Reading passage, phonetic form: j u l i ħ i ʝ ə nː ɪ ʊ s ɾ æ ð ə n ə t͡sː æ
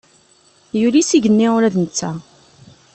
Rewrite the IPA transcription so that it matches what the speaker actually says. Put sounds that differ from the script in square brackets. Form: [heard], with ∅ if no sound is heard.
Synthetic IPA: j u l i [s] i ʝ ə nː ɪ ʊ [∅] ɾ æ ð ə n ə t͡sː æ